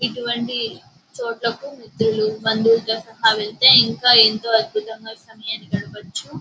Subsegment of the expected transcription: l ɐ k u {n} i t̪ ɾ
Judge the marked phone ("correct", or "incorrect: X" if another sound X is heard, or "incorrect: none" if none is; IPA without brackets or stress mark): incorrect: m